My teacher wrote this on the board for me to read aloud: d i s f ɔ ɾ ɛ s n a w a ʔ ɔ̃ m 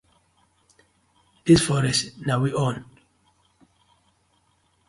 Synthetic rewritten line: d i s f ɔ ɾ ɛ s n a w i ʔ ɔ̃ n